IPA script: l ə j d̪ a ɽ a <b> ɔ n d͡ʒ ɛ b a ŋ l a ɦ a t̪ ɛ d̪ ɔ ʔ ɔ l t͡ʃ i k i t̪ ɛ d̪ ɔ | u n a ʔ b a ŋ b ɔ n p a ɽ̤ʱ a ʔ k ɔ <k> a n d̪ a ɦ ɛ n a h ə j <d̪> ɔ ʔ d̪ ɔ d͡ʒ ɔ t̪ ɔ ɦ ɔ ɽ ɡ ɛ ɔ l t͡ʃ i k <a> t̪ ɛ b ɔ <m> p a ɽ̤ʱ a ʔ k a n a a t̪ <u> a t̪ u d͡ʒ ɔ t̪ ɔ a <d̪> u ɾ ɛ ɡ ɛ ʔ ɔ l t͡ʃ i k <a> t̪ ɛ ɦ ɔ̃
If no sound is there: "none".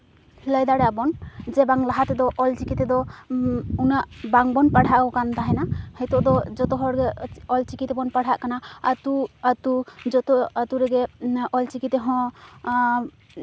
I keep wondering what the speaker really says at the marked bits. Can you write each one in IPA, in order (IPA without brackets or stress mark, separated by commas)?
b, k, t̪, i, n, u, t̪, i